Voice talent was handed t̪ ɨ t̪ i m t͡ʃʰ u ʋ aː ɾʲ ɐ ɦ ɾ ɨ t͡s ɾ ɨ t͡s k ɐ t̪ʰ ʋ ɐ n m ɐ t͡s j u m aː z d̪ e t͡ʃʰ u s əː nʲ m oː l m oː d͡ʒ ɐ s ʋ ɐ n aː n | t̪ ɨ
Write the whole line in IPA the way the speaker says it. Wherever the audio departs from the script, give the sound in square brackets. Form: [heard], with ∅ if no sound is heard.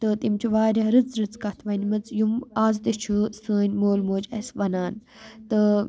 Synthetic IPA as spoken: t̪ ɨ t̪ i m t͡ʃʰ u ʋ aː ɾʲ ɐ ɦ ɾ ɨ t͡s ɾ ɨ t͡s k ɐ t̪ʰ ʋ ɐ n m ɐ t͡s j u m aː z d̪ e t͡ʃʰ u s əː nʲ m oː l m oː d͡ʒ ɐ s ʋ ɐ n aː n | t̪ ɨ